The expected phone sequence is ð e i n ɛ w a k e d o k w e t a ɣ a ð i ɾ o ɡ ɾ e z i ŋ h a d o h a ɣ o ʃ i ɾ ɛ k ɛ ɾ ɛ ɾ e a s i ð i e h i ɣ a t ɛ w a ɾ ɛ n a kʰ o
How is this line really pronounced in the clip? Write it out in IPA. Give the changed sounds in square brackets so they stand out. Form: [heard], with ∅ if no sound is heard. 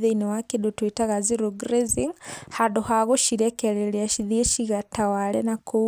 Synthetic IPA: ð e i n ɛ w a k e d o [t] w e t a ɣ a [z] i ɾ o ɡ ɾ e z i ŋ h a d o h a ɣ o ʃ i ɾ ɛ k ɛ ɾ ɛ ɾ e a [ʃ] i ð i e [ʃ] i ɣ a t [a] w a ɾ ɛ n a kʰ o